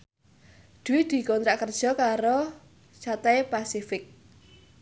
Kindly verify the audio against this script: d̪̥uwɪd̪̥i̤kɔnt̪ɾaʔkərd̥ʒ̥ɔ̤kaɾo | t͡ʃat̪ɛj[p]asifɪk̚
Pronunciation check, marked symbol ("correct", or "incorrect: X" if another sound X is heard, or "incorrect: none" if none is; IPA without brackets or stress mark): correct